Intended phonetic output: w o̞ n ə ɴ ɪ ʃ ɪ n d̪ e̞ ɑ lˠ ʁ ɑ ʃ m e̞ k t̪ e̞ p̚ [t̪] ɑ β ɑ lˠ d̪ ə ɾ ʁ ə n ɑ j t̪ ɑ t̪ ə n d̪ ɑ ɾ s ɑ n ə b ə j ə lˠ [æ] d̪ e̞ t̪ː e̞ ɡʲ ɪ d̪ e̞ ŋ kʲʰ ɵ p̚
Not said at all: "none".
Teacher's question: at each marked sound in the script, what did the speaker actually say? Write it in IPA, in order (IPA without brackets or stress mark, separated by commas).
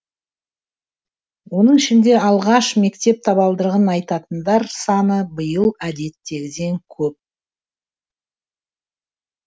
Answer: t̪ʰ, æ